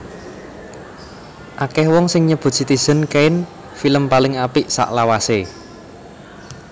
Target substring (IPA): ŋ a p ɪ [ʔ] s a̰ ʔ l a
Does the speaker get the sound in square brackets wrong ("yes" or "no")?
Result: no